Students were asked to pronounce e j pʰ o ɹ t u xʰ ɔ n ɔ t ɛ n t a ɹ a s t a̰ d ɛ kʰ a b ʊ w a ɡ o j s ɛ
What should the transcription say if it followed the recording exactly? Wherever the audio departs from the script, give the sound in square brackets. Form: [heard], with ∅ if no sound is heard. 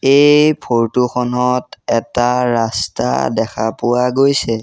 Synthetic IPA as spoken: e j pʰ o ɹ t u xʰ ɔ n ɔ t ɛ [∅] t a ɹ a s t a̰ d ɛ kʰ a [p] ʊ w a ɡ o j s ɛ